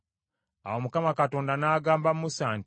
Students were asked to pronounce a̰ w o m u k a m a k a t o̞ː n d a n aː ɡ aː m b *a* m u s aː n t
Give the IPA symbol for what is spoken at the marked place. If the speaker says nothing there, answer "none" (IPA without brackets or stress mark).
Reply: a